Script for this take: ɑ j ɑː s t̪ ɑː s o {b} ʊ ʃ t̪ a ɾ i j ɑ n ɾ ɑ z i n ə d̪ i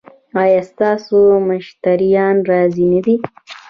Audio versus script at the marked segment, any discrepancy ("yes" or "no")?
yes